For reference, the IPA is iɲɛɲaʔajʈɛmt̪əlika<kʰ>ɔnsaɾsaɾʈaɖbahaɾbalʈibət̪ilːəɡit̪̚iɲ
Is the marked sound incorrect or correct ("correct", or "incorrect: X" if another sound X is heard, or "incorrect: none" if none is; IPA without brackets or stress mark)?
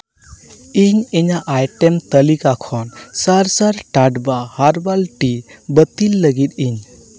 correct